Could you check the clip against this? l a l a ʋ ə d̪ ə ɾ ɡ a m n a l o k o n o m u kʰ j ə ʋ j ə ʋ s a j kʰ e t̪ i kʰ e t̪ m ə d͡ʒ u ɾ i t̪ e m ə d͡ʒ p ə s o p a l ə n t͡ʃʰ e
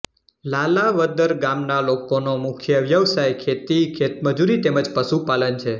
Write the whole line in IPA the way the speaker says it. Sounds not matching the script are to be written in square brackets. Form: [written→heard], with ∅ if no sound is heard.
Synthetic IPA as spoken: l a l a ʋ ə d̪ ə ɾ ɡ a m n a l o k o n o m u kʰ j ə ʋ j ə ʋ s a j kʰ e t̪ i kʰ e t̪ m ə d͡ʒ u ɾ i t̪ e m ə d͡ʒ p ə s [o→u] p a l ə n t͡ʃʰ e